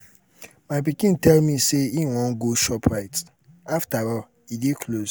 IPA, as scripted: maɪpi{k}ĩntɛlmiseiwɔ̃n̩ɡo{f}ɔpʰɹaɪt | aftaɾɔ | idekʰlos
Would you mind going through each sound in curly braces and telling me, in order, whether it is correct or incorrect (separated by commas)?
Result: correct, incorrect